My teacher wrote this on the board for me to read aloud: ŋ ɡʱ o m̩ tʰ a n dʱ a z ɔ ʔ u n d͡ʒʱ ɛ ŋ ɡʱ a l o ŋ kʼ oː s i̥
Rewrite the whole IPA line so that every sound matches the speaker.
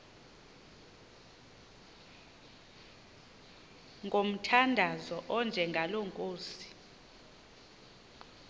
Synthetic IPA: ŋ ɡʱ o m̩ tʰ a n dʱ a z ɔ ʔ ɔ n d͡ʒʱ ɛ ŋ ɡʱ a l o ŋ kʼ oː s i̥